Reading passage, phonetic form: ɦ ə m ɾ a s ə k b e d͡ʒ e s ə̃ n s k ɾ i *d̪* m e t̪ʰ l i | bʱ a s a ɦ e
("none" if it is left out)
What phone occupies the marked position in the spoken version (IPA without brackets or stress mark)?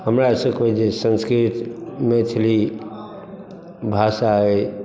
t̪